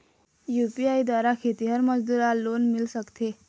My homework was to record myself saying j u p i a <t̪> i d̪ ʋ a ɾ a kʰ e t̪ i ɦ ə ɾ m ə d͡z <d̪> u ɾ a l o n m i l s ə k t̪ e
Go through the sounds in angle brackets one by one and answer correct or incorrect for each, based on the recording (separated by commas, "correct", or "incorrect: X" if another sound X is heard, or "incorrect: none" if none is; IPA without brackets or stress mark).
incorrect: none, correct